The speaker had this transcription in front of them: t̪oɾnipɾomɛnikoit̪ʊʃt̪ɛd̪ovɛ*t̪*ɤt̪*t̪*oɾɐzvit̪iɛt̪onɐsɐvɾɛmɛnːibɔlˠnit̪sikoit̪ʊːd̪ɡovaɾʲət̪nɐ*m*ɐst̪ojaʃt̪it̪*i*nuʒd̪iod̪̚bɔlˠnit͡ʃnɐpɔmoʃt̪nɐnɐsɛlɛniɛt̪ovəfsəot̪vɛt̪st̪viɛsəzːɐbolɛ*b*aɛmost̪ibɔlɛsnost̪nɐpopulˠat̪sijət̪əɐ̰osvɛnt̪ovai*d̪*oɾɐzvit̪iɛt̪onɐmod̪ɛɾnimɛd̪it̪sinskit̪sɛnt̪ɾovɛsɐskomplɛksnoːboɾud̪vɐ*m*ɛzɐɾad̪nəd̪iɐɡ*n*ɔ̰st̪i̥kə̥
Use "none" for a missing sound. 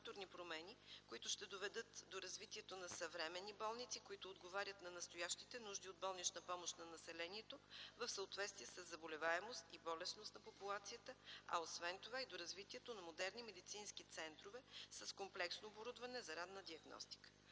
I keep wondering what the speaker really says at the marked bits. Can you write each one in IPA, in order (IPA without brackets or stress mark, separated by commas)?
d̪, d̪, n, ɛ, v, d̪, n, n